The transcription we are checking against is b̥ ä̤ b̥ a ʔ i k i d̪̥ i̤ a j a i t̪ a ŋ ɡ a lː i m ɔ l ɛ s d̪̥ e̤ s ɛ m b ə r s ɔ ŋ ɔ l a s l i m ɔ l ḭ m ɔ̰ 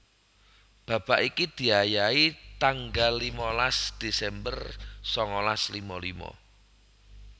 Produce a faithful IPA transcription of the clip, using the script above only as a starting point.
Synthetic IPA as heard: b̥ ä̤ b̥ a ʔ i k i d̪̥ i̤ a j a i t̪ a ŋ ɡ a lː i m ɔ l a s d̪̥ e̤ s ɛ m b ə r s ɔ ŋ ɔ l a s l i m ɔ l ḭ m ɔ̰